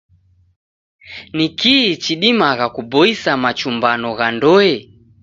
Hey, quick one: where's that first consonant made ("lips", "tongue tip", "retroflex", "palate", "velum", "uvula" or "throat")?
tongue tip